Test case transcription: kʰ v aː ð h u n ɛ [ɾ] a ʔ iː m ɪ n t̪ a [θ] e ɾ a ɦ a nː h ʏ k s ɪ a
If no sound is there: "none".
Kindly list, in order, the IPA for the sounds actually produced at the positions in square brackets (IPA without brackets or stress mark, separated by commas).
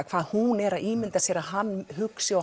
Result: ɾ, s